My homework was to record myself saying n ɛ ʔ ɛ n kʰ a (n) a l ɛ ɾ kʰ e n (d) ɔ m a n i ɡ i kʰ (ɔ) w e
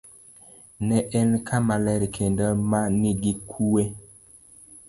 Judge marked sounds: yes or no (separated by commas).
no, yes, no